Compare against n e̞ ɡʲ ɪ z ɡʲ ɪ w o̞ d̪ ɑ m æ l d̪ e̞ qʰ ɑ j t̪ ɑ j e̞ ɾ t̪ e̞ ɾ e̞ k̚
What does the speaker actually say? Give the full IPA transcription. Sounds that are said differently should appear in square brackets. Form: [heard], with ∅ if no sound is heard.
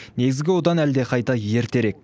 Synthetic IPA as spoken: n e̞ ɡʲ ɪ z ɡʲ ɪ w o̞ d̪ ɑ [n] æ l d̪ e̞ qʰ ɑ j t̪ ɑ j e̞ ɾ t̪ e̞ ɾ e̞ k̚